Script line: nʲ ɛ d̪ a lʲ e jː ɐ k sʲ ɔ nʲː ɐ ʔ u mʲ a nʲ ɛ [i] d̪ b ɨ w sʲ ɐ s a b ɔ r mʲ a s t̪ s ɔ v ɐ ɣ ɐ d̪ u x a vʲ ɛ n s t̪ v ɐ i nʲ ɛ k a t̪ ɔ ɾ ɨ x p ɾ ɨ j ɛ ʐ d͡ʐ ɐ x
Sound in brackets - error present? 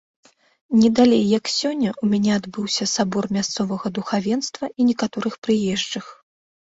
yes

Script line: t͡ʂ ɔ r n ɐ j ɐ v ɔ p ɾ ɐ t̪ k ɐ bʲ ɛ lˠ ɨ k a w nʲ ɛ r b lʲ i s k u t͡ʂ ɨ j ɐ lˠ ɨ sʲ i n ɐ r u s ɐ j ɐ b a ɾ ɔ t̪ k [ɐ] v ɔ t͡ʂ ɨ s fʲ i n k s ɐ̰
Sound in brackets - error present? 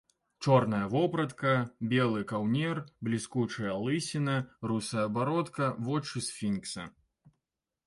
no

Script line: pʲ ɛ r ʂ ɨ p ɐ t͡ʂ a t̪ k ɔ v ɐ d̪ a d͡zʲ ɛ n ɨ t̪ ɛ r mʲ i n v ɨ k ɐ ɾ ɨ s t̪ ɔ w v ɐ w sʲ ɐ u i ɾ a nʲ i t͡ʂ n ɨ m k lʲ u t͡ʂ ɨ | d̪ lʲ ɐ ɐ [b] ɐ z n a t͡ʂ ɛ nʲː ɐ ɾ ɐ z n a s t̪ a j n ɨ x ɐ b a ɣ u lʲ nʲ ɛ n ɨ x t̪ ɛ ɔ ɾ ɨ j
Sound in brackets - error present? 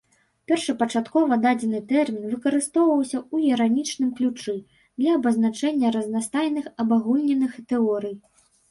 no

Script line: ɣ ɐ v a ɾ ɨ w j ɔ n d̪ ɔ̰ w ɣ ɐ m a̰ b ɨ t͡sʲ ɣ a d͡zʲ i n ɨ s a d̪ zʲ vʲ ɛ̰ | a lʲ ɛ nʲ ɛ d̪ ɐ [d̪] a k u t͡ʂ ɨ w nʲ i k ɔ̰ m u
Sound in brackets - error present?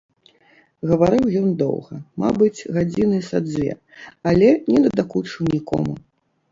no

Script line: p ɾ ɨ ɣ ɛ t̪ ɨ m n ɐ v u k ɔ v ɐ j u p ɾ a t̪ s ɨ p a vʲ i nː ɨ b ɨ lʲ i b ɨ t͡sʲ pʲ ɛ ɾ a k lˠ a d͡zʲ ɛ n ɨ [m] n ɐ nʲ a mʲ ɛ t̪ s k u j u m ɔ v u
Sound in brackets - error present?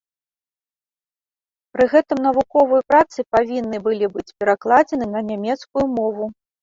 yes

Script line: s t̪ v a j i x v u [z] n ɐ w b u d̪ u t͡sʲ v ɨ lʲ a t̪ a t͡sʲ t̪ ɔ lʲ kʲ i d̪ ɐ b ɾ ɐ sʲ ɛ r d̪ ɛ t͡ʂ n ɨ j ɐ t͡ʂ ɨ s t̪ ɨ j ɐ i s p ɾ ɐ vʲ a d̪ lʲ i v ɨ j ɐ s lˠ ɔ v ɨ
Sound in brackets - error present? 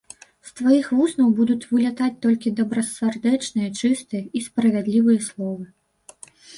yes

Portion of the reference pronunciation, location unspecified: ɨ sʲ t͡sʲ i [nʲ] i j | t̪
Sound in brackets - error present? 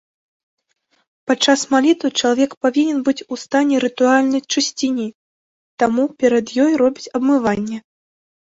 no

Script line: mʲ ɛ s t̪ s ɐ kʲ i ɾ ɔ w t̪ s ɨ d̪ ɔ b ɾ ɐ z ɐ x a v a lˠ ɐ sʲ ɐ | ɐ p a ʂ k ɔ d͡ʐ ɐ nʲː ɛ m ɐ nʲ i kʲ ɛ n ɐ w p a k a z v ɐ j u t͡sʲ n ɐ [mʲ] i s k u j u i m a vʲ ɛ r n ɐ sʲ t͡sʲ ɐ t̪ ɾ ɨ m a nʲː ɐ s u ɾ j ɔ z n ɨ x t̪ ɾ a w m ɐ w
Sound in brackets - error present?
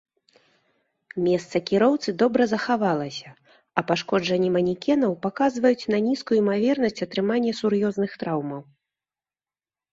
yes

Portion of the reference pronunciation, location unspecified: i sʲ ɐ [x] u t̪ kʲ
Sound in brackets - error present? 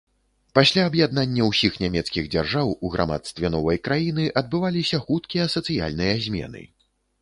no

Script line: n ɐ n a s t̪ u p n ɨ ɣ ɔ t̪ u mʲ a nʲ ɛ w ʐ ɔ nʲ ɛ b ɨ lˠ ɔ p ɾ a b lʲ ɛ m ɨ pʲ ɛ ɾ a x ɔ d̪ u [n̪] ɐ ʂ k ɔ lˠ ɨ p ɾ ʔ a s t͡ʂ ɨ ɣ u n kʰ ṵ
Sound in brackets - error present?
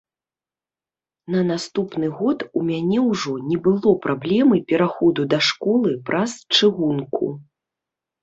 yes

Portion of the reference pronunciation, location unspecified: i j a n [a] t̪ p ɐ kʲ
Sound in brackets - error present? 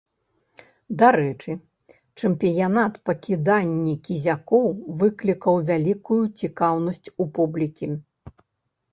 no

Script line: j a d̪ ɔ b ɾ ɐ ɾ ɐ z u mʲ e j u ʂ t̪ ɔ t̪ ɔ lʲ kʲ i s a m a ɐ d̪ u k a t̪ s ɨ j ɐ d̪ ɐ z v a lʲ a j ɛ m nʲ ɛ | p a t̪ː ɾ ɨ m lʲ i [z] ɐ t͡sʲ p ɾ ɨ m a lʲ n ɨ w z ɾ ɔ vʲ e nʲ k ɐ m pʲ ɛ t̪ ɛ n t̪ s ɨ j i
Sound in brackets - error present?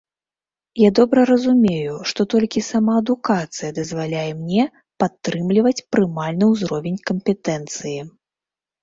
yes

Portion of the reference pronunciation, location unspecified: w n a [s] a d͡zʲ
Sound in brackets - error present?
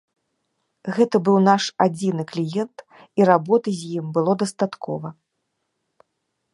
yes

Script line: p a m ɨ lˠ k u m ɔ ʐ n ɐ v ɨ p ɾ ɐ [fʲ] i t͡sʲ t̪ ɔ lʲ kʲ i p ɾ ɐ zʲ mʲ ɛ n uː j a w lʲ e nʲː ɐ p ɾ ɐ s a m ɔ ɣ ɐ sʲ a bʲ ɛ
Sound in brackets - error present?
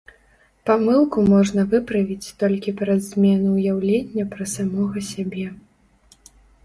yes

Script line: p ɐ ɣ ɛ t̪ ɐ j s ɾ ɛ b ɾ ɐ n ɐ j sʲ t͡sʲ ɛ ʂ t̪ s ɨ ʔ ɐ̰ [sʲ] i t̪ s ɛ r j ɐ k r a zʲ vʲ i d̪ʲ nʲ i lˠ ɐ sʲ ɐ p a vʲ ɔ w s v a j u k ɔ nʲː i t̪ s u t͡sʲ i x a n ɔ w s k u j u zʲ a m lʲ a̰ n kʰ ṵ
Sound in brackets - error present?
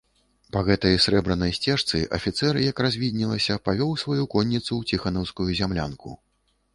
yes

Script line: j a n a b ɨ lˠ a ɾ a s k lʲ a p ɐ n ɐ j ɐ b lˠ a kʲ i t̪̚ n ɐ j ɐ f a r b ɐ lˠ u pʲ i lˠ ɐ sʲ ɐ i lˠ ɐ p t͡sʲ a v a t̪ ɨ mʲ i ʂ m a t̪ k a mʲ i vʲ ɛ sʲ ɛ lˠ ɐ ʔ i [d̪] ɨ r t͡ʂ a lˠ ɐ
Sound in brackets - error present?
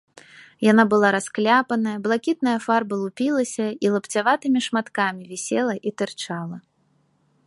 yes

